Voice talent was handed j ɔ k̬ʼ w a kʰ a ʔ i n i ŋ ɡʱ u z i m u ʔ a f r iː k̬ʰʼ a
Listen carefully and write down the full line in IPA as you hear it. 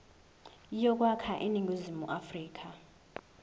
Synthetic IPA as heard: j ɔ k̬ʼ w a kʰ a ʔ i n i ŋ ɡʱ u z i m u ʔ a f r iː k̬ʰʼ a